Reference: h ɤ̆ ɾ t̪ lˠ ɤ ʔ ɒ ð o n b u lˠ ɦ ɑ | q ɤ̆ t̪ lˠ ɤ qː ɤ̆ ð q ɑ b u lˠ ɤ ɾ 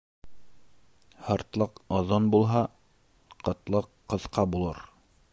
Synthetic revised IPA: h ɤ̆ ɾ t̪ lˠ ɤ q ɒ ð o n b u lˠ ɦ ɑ | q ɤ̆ t̪ lˠ ɤ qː ɤ̆ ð q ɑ b u lˠ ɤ ɾ